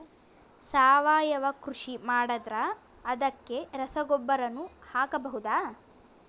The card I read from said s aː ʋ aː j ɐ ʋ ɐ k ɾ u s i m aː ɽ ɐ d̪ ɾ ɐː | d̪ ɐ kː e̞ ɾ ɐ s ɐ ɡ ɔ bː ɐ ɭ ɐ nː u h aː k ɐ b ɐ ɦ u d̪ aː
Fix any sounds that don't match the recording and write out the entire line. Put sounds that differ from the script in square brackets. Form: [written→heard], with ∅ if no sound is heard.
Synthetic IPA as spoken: s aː ʋ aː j ɐ ʋ ɐ k ɾ u [s→ʂ] i m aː ɽ ɐ d̪ ɾ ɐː | d̪ ɐ kː e̞ ɾ ɐ s ɐ ɡ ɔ bː ɐ [ɭ→ɾ] ɐ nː u h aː k ɐ b ɐ ɦ u d̪ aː